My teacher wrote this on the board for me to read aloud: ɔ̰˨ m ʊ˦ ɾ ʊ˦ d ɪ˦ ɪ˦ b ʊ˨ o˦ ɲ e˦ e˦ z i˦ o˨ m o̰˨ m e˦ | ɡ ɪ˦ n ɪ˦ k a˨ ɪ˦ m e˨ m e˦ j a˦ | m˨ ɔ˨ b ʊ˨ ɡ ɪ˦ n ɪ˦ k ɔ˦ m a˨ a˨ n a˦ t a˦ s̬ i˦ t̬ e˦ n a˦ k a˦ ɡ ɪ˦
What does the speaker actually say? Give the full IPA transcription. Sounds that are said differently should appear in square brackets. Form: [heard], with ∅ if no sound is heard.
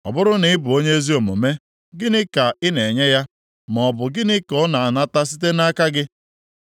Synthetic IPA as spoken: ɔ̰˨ [b] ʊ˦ ɾ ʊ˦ [n] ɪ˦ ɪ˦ b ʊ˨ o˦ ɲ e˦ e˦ z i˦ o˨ m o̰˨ m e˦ | ɡ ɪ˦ n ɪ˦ k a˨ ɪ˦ [n] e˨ [ɲ] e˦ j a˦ | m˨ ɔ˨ b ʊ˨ ɡ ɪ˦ n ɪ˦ k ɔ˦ [n] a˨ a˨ n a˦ t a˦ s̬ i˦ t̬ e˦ n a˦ k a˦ ɡ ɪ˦